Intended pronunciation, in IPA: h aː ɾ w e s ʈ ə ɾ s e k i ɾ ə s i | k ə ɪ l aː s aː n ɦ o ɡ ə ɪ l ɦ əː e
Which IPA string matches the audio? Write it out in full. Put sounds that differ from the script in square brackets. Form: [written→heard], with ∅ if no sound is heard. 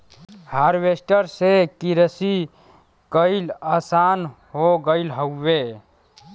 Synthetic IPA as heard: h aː ɾ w e s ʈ ə ɾ s e k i ɾ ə s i | k ə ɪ l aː s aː n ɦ o ɡ ə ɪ l ɦ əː e